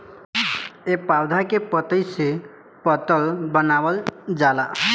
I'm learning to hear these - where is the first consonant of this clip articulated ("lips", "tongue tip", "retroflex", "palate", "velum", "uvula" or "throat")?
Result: lips